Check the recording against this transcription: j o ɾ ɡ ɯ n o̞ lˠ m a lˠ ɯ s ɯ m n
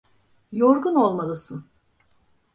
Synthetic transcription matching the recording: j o ɾ ɡ u n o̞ lˠ m a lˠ ɯ s ɯ n

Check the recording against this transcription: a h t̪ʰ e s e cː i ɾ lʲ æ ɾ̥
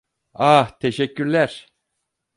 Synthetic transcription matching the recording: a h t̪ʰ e ʃ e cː y ɾ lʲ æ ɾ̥

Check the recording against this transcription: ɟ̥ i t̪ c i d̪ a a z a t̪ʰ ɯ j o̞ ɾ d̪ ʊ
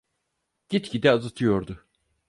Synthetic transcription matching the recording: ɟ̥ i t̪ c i d̪ ɛ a z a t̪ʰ ɯ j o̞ ɾ d̪ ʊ

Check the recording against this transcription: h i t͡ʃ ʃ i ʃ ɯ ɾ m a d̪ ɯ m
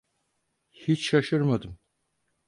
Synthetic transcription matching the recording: h i t͡ʃ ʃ a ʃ ɯ ɾ m a d̪ ɯ m

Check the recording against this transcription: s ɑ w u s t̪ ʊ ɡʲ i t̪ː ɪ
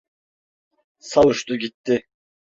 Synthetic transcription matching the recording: s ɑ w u ʃ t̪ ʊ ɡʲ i t̪ː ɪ

